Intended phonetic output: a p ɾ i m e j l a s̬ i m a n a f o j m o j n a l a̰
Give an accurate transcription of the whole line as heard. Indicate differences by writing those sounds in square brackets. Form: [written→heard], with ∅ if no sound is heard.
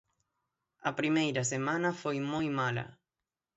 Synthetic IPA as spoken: a p ɾ i m e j [l→ɾ] a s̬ [i→e] m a n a f o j m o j [n→m] a l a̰